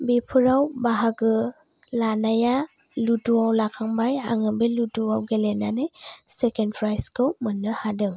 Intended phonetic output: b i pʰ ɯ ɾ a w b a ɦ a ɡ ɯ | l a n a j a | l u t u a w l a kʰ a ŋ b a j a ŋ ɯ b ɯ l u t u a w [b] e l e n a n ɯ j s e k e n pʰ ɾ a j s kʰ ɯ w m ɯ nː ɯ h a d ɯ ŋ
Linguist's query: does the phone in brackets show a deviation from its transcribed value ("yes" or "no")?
yes